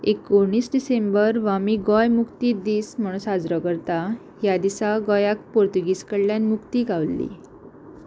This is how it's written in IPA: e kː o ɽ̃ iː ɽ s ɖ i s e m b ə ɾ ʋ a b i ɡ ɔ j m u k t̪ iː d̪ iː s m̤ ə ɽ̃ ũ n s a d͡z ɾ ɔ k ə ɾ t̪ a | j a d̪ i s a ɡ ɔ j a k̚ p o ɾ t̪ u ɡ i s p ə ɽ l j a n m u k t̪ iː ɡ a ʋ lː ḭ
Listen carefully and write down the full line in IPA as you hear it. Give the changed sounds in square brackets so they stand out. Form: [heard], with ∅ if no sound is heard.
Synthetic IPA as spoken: e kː o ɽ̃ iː [∅] s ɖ i s e m b ə ɾ ʋ a [m] i ɡ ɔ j m u k t̪ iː d̪ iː s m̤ ə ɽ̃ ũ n s a d͡z ɾ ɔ k ə ɾ t̪ a | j a d̪ i s a ɡ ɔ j a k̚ p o ɾ t̪ u ɡ i s [k] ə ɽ l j a n m u k t̪ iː ɡ a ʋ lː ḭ